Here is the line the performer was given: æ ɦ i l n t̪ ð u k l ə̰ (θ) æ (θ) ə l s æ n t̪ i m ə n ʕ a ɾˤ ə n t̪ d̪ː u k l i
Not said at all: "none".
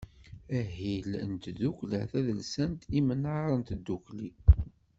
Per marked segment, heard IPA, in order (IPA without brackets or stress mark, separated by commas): θ, ð